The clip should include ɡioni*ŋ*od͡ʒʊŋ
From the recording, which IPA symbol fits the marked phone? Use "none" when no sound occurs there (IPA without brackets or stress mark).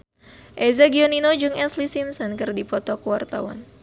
n